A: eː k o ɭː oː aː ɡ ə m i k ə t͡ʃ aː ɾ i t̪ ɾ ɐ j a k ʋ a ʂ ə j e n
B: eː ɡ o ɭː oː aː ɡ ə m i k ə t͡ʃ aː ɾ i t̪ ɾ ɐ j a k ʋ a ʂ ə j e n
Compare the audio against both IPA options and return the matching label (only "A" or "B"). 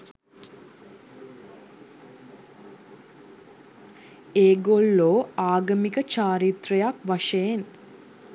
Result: B